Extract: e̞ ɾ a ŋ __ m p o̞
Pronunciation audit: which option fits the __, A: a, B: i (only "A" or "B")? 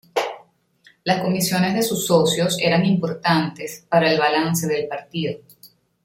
B